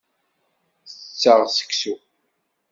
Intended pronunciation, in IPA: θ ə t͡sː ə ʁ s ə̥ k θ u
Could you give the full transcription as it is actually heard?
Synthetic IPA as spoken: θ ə t͡sː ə ʁ s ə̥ k s u

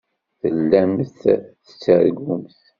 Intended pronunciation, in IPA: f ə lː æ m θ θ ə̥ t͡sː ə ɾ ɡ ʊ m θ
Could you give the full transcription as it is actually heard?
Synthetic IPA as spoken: θ ə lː æ m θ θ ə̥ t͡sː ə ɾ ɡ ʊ m θ

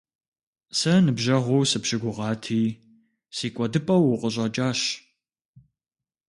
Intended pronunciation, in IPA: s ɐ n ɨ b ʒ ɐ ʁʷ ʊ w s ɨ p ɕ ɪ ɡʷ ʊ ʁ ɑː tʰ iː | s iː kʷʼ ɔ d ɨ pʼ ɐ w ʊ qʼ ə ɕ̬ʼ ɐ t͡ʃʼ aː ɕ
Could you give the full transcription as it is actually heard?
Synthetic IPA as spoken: s ɐ n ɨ b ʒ ɐ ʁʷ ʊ w s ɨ p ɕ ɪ ɡʷ ʊ ʁ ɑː tʰ iː | s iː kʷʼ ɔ d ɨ pʼ ɐ w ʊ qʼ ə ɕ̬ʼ ɐ t͡ʃʼ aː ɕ

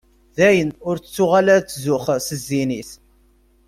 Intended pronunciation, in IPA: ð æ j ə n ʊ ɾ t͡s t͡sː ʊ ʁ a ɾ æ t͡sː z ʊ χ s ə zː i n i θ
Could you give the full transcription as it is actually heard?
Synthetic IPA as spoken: ð æ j ə n ʊ ɾ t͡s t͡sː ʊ ʁ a l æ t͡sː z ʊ χ s ə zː i n i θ

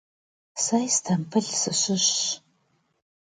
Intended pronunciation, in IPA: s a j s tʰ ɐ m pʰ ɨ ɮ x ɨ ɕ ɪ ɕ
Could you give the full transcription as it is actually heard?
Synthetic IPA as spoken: s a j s tʰ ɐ m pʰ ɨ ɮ s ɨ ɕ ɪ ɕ

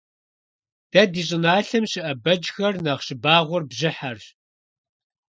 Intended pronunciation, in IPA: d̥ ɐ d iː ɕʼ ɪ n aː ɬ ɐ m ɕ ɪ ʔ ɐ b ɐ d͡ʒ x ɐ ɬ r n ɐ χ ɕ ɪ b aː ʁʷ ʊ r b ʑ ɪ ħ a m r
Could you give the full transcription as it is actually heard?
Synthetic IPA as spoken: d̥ ɐ d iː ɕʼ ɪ n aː ɬ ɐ m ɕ ɪ ʔ ɐ b ɐ d͡ʒ x ɐ r n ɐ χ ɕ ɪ b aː ʁʷ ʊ r b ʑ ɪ ħ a r

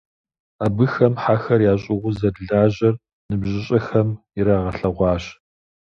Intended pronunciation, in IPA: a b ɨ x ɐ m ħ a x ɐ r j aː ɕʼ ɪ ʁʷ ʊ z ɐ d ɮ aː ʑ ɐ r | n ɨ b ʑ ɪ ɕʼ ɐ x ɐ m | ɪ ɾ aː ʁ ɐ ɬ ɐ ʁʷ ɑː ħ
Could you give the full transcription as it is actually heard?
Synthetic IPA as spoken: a b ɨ x ɐ m ħ a x ɐ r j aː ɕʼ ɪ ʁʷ ʊ z ɐ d ɮ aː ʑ ɐ r | n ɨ b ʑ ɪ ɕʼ ɐ x ɐ m | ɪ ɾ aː ʁ ɐ ɬ ɐ ʁʷ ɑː ɕ

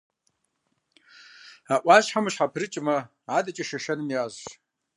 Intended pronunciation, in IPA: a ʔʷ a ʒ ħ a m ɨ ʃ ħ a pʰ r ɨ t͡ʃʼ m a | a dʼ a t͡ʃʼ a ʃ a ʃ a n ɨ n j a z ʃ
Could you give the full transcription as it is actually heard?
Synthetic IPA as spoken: a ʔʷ a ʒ ħ a m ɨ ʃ ħ a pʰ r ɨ t͡ʃʼ m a | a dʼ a t͡ʃʼ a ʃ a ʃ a n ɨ n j a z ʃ

